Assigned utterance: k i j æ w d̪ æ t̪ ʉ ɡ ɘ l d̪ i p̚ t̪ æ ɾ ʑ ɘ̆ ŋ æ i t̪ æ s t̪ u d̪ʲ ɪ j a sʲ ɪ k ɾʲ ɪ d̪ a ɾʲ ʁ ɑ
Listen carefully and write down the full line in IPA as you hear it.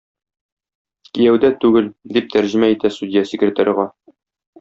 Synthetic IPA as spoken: k i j æ w d̪ æ t̪ ʉ ɡ ɘ l d̪ i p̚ t̪ æ ɾ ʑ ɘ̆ m æ i t̪ æ s t̪ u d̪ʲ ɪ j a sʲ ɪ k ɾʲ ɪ t̪ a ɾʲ ʁ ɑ